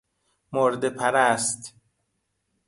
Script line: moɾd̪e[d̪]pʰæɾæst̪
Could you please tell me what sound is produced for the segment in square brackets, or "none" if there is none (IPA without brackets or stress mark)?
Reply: none